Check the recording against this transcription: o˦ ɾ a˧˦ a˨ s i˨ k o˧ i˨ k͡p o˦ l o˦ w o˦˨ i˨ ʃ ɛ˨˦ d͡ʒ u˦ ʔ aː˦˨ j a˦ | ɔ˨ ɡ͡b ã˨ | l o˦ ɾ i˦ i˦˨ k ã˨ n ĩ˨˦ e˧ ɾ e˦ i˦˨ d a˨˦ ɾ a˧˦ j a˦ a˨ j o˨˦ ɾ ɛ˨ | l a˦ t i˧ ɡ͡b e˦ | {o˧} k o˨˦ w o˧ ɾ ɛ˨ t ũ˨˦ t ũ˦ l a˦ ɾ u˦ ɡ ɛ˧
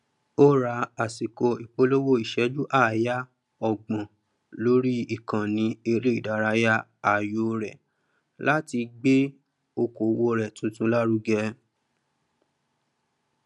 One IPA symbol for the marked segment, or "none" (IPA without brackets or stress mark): o˧